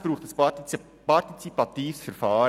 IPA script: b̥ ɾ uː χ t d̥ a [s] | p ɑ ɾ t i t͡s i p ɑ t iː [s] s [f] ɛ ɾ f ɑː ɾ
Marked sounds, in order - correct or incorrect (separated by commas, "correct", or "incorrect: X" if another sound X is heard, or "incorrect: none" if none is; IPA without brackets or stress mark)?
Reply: correct, incorrect: f, correct